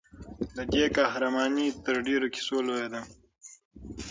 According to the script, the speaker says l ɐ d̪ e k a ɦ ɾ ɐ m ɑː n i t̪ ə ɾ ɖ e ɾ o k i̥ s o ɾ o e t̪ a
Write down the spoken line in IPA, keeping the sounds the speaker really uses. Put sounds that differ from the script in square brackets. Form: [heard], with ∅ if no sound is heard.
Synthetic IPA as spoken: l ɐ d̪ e k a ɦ ɾ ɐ m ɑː n i t̪ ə ɾ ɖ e ɾ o k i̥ s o [l] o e [d̪] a